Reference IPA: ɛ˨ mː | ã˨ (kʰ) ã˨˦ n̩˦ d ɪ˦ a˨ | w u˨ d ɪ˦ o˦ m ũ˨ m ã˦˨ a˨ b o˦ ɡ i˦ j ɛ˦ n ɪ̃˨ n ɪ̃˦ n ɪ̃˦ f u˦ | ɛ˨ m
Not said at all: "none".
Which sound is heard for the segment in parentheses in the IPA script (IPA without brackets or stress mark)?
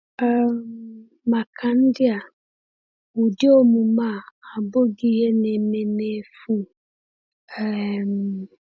kʰ